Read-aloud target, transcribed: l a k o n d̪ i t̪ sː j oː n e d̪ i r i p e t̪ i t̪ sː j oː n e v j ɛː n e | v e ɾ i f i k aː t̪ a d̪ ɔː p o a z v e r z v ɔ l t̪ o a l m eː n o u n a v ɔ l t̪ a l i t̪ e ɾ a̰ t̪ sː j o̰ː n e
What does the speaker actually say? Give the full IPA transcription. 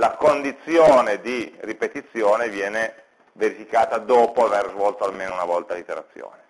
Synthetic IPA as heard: l a k o n d̪ i t̪ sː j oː n e d̪ i r i p e t̪ i t̪ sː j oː n e v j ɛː n e | v e ɾ i f i k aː t̪ a d̪ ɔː p o a v e r z v ɔ l t̪ o a l m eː n o u n a v ɔ l t̪ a l i t̪ e ɾ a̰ t̪ sː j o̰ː n e